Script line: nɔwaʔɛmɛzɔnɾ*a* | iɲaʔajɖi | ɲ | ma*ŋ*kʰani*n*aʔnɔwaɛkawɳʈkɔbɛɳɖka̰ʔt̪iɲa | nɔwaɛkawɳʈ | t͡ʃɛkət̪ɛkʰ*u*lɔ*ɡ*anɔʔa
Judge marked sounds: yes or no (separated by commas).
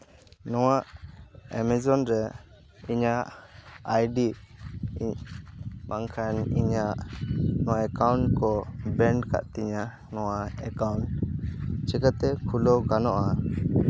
no, yes, no, yes, yes